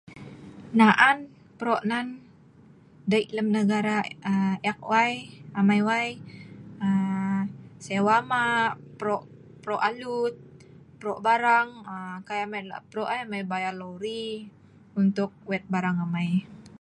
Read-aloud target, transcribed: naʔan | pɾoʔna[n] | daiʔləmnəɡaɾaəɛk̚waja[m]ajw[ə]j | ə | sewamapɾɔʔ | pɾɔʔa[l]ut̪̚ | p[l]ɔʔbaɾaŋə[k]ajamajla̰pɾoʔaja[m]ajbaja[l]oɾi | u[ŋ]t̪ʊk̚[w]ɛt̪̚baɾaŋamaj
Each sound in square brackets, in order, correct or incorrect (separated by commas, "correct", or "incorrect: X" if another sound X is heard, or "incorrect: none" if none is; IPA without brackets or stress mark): correct, correct, incorrect: a, correct, incorrect: ɾ, correct, correct, correct, incorrect: n, correct